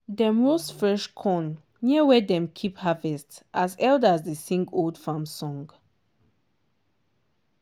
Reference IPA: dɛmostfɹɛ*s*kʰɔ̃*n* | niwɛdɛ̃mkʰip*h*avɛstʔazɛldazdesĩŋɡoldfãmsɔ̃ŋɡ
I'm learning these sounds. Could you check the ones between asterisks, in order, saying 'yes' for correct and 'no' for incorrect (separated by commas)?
no, yes, yes